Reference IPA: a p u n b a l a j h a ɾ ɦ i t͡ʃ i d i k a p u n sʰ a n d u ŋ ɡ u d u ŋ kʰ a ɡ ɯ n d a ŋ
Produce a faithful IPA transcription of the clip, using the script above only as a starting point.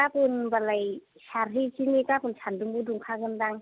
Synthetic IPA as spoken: a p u n b a l a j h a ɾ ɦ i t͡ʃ i n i k a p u n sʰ a n d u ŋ b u d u ŋ kʰ a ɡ ɯ n d a ŋ